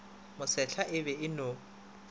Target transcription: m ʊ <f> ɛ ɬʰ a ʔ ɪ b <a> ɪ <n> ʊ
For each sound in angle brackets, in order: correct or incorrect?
incorrect: s, incorrect: ɛ, correct

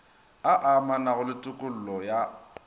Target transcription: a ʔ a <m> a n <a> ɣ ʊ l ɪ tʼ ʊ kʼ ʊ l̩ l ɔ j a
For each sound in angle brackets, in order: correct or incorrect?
correct, correct

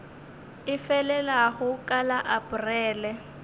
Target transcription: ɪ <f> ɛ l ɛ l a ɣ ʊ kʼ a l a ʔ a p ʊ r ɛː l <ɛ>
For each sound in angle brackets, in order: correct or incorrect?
correct, correct

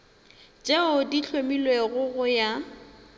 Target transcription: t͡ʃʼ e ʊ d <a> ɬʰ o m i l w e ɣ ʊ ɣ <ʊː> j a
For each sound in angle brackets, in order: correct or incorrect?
incorrect: i, incorrect: ʊ

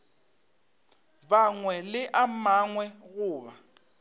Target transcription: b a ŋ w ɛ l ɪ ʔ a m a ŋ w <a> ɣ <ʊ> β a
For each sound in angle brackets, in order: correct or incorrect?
incorrect: ɛ, incorrect: ʊː

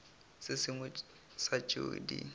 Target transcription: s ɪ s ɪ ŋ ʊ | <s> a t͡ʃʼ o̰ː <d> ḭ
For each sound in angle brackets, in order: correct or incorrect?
correct, correct

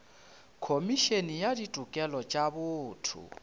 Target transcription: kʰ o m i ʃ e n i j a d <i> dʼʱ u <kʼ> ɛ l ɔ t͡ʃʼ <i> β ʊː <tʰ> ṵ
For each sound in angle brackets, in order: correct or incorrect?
correct, correct, incorrect: a, correct

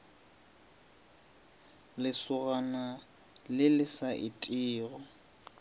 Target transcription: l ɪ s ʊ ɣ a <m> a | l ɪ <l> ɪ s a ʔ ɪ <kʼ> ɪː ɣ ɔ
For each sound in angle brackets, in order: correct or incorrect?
incorrect: n, correct, incorrect: tʼ

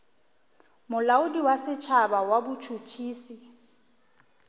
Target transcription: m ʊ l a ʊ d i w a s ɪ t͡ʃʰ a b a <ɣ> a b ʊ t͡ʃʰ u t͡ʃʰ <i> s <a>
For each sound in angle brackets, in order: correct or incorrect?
incorrect: w, incorrect: iː, incorrect: i

